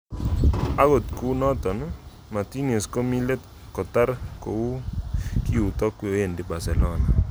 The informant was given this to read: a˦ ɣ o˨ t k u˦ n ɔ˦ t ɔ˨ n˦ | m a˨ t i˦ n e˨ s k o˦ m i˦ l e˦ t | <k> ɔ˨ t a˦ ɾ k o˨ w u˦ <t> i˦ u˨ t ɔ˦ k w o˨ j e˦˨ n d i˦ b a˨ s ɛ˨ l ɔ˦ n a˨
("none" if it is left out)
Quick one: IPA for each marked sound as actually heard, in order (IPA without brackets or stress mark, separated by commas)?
k, k